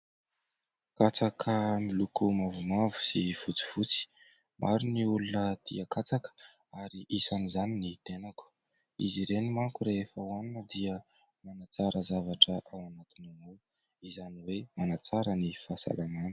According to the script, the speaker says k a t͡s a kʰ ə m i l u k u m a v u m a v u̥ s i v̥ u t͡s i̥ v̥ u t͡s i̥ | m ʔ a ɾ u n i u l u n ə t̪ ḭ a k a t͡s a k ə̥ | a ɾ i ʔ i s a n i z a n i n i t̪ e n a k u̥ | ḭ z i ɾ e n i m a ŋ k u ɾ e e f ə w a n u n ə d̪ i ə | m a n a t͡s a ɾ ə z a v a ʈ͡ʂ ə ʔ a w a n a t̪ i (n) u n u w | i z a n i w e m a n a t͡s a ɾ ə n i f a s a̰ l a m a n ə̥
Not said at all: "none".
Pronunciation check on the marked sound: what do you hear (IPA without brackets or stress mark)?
n